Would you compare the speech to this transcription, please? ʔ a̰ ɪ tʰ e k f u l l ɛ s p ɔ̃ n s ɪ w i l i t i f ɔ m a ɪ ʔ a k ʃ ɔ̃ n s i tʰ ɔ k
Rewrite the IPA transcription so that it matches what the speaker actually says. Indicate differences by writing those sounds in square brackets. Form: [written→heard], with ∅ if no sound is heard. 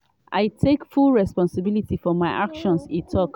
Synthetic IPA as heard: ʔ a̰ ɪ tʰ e k f u l [l→ɹ] ɛ s p ɔ̃ n s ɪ [w→b] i l i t i f ɔ m a ɪ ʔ a k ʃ ɔ̃ n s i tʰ ɔ k